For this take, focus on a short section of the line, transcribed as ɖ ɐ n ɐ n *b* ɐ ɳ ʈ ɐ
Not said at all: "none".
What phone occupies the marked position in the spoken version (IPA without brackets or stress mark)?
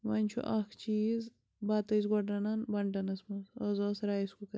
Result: b